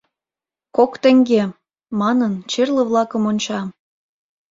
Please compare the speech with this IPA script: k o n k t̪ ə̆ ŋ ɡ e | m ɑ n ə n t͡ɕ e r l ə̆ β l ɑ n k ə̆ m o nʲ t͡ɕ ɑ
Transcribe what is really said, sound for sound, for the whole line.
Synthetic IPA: k o k t̪ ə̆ ŋ ɡ e | m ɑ n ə n t͡ɕ e r l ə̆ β l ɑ k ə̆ m o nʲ t͡ɕ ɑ